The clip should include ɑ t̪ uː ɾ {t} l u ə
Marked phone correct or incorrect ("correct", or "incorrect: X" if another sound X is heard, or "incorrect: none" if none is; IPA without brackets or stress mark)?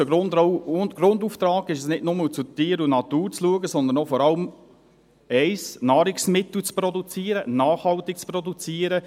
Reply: incorrect: t͡s